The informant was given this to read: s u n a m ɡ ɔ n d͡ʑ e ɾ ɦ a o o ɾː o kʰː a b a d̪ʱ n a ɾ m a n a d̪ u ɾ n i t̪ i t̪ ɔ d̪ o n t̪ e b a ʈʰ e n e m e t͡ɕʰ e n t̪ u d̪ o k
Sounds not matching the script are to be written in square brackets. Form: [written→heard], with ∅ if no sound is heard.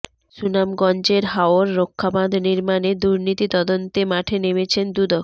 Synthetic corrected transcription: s u n a m ɡ ɔ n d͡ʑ e ɾ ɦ a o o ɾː o kʰː a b a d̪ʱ n [a→i] ɾ m a n [a→e] d̪ u ɾ n i t̪ i t̪ ɔ d̪ o n t̪ e [b→m] a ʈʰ e n e m e t͡ɕʰ e n [t̪→d̪] u d̪ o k

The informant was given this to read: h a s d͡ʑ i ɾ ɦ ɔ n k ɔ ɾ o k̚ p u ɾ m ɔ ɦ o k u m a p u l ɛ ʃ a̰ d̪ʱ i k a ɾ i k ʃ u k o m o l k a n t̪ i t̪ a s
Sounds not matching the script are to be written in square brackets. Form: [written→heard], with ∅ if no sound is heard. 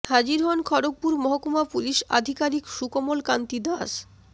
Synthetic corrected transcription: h a [s→∅] d͡ʑ i ɾ ɦ ɔ n [k→kʰ] ɔ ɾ o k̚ p u ɾ m ɔ ɦ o k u m a p u l [ɛ→i] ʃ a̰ d̪ʱ i k a ɾ i k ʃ u k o m o l k a n t̪ i [t̪→d̪] a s

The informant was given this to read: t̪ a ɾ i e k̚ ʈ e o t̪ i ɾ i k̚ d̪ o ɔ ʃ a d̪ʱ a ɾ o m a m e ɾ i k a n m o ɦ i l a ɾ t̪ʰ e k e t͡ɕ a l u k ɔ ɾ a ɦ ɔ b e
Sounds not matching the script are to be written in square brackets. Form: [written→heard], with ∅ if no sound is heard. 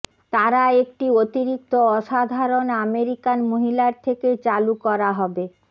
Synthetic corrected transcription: t̪ a ɾ [i→a] e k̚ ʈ [e→i] o t̪ i ɾ i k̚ [d̪→t̪] o ɔ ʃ a d̪ʱ a ɾ o [m→n] a m e ɾ i k a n m o ɦ i l a ɾ t̪ʰ e k e t͡ɕ a l u k ɔ ɾ a ɦ ɔ b e

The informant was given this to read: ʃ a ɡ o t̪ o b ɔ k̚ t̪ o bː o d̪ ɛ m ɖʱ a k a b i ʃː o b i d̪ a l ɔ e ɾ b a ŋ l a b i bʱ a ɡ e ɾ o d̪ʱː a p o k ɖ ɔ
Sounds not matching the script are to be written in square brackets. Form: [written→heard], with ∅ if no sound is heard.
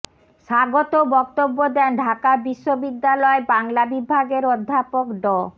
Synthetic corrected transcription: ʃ a ɡ o t̪ o b ɔ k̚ t̪ o bː o d̪ ɛ [m→n] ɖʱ a k a b i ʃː o b i [d̪→d̪ː] a l ɔ e [ɾ→∅] b a ŋ l a b i bʱ a ɡ e ɾ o d̪ʱː a p o k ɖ ɔ

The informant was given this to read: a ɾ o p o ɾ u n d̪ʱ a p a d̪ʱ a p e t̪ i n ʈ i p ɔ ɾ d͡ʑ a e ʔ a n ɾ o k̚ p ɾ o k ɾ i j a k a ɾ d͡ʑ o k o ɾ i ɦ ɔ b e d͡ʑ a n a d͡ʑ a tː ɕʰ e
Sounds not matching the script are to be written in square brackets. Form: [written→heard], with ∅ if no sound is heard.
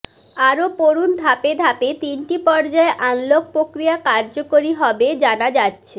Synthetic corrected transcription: a ɾ o p o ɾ u n d̪ʱ a p [a→e] d̪ʱ a p e t̪ i n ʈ i p ɔ ɾ d͡ʑ a e ʔ a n [ɾ→l] o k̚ p ɾ o k ɾ i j a k a ɾ d͡ʑ o k o ɾ i ɦ ɔ b e d͡ʑ a n a d͡ʑ a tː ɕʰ e

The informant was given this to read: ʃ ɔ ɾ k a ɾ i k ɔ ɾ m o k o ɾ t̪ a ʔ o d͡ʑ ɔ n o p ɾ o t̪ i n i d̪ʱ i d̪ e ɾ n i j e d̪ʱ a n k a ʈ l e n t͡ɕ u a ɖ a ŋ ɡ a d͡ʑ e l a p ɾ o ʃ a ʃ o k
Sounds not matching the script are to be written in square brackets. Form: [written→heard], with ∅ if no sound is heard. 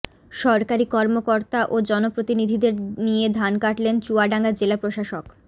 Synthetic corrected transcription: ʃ ɔ ɾ k a ɾ i k ɔ ɾ m o k o ɾ t̪ a ʔ o d͡ʑ ɔ n o p ɾ o t̪ i n i d̪ʱ i d̪ e ɾ n i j e d̪ʱ a n k a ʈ l e n t͡ɕ u a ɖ a ŋ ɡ a d͡ʑ e l a p ɾ o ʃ a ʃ o k

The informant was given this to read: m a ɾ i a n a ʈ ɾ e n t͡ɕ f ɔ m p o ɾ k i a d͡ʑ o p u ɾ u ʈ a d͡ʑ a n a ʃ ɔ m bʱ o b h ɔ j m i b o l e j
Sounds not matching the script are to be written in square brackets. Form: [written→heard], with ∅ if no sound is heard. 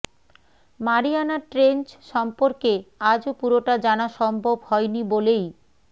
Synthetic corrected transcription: m a ɾ i a n a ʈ ɾ e n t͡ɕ [f→ʃ] ɔ m p o ɾ k [i→e] a d͡ʑ o p u ɾ [u→o] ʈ a d͡ʑ a n a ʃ ɔ m bʱ o b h ɔ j [m→n] i b o l e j

